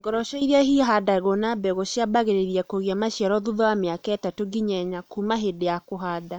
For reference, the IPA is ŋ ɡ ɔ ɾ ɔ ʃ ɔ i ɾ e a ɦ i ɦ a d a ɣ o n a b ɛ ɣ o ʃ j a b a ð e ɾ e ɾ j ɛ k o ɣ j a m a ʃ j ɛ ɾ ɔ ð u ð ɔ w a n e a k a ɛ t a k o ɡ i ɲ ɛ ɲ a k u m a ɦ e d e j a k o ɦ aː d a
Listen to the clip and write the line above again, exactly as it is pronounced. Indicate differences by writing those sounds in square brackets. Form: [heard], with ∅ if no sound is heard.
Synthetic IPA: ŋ ɡ ɔ ɾ ɔ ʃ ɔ i ɾ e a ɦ i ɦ a d a ɣ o n a b ɛ ɣ o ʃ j a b a [ɣ] e ɾ e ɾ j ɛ k o ɣ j a m a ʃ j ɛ ɾ ɔ ð u ð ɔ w a [m] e a k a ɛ t a [t] o ɡ i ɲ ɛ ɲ a k u m a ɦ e d e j a k o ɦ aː d a